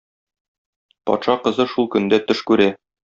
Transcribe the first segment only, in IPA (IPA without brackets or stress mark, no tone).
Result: p